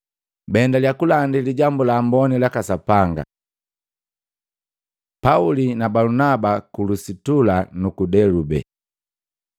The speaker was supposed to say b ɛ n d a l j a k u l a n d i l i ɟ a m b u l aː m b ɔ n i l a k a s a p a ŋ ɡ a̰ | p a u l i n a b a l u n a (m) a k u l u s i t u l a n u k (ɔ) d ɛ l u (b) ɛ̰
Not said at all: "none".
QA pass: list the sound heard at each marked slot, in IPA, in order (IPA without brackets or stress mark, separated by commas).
b, u, b